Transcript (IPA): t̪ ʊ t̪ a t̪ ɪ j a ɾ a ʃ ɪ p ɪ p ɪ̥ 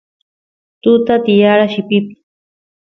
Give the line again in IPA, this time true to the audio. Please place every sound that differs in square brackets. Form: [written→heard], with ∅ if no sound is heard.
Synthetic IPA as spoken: t̪ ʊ t̪ a t̪ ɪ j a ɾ a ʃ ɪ p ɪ p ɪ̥